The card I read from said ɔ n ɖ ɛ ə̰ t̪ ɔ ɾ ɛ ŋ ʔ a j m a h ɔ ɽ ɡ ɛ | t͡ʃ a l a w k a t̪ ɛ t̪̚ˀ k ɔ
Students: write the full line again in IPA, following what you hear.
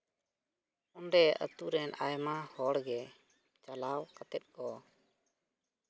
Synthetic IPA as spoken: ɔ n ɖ ɛ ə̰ t̪ u ɾ ɛ n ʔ a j m a h ɔ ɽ ɡ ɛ | t͡ʃ a l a w k a t̪ ɛ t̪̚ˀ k ɔ